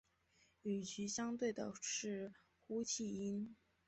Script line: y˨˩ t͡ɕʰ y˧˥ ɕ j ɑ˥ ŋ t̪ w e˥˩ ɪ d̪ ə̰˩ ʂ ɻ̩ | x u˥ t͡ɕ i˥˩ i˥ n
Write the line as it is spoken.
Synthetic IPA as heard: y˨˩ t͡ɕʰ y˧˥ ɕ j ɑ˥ ŋ t̪ w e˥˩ ɪ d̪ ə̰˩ ʂ ɻ̩ | x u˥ t͡ɕʰ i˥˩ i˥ n